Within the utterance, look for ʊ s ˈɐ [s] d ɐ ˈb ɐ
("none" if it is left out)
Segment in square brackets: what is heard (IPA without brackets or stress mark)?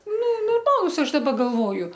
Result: ʃ